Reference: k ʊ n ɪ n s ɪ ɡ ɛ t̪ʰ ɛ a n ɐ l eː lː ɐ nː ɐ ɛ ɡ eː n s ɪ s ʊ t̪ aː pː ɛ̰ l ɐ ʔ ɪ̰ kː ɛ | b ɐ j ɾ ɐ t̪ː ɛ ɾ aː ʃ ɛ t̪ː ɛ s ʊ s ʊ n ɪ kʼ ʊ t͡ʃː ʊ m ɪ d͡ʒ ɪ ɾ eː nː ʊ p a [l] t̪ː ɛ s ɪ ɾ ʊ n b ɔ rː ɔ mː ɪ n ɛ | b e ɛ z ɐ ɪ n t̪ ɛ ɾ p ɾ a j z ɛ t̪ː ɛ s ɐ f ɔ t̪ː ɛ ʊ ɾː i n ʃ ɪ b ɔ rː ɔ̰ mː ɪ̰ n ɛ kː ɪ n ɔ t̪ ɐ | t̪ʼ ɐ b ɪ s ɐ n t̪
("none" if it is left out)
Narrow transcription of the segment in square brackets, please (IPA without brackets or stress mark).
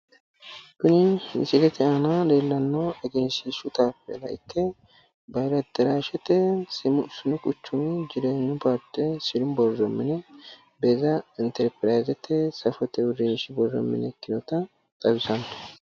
ɾ